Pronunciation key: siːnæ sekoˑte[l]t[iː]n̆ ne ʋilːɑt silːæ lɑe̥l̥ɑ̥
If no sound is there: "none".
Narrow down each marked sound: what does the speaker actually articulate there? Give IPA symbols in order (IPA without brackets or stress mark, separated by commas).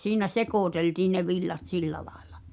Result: l, iː